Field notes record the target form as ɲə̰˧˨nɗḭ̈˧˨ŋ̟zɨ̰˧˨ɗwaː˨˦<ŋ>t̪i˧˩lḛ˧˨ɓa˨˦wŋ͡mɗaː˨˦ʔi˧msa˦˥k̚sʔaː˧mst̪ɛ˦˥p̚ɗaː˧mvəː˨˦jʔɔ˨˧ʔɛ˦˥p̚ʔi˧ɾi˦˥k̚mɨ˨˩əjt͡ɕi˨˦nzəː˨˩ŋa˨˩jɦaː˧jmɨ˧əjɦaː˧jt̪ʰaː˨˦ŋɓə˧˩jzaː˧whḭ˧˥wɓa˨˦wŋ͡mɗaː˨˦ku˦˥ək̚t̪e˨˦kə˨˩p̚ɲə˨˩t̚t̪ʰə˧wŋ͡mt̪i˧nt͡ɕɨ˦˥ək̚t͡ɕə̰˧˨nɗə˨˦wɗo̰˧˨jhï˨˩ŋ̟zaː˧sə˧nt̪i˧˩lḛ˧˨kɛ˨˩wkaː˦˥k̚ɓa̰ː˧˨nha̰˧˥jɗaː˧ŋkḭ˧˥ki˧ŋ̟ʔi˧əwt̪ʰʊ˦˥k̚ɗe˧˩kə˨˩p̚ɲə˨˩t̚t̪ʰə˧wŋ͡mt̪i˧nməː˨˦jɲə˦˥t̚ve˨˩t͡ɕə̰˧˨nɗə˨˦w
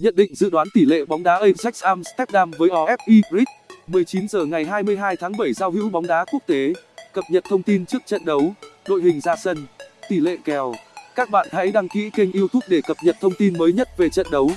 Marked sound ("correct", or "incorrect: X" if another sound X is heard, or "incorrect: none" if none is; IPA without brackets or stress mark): incorrect: n